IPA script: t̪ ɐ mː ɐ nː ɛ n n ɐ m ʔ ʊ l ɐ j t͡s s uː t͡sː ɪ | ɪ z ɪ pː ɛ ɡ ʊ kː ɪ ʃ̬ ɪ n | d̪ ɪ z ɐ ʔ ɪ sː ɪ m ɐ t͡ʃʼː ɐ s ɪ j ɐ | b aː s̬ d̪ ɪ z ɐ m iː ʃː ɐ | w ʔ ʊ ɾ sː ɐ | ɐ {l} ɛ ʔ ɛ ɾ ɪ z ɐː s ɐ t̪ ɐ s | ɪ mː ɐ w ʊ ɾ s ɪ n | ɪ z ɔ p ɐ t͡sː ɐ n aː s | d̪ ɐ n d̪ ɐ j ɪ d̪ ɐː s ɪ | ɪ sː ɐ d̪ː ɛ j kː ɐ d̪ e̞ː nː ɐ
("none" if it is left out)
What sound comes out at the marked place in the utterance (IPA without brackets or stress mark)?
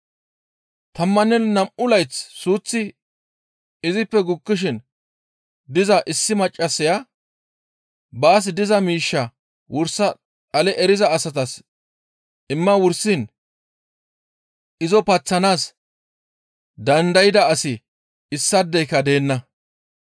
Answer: l